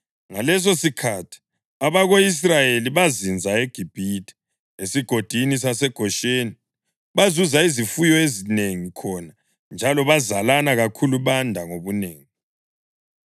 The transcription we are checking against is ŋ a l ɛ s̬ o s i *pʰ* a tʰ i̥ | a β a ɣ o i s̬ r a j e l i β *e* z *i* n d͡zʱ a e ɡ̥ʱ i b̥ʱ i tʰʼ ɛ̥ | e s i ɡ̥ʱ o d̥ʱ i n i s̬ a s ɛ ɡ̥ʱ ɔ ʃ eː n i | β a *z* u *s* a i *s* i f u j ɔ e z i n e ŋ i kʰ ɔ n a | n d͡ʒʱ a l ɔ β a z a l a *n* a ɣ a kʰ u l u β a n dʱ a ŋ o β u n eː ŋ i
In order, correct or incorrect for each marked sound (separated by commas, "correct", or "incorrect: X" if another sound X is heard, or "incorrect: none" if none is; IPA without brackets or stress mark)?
incorrect: kʰ, incorrect: a, correct, correct, incorrect: z, incorrect: z, correct